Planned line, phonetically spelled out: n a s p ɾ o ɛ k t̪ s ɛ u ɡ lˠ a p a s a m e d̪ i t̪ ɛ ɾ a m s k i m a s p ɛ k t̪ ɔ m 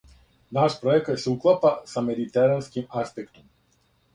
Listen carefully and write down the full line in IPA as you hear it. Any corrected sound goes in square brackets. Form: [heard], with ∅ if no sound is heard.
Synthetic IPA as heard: n a [ʃ] p ɾ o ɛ k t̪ s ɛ u [k] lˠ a p a s a m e d̪ i t̪ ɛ ɾ a [n] s k i m a s p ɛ k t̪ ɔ m